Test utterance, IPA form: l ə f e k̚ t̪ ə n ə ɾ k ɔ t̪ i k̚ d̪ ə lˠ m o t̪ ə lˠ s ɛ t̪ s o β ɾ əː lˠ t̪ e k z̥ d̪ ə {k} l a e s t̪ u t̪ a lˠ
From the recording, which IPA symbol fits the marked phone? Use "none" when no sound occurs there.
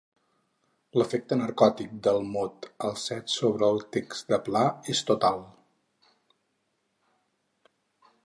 p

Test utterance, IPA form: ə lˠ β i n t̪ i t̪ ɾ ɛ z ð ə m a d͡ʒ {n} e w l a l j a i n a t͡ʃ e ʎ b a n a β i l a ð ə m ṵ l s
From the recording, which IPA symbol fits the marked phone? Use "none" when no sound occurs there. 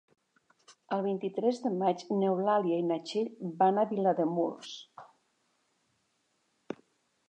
n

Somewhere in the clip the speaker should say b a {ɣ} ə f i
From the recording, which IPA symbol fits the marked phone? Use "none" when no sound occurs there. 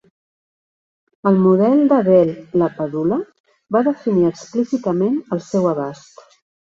ð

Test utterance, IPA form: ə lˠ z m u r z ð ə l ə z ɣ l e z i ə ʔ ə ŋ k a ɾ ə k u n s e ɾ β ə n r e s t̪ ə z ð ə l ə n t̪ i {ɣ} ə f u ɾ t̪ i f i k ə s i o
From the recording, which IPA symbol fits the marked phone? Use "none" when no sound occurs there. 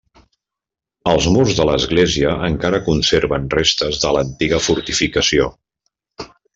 ɣ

